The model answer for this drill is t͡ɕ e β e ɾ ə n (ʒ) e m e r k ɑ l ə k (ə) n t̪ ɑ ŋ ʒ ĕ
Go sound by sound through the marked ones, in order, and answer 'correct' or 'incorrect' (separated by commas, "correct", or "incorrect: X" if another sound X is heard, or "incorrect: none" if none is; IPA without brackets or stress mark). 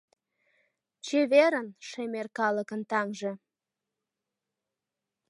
incorrect: ʃ, correct